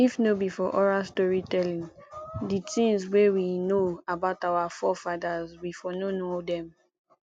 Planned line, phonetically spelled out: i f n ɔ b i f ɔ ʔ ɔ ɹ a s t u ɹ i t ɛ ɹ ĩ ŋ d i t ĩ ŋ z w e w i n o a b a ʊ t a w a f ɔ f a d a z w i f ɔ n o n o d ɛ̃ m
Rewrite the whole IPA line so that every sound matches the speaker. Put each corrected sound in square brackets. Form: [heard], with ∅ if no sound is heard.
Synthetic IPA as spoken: i f n [o] b i f ɔ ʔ ɔ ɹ a s t [ɔ] ɹ i t ɛ [l] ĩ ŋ d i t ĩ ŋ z w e w i n o a b a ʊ t a w a f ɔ f a d a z w i f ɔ n o n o d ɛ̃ m